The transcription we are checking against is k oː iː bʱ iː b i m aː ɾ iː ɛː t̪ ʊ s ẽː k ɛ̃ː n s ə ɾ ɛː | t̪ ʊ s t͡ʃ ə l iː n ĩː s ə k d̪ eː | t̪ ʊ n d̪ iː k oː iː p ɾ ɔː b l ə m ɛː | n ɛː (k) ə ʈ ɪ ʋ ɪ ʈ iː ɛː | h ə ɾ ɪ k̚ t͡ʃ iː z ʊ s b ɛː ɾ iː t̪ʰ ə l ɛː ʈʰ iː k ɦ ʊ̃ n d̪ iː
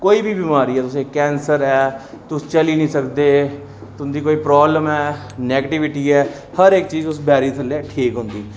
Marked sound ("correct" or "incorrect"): incorrect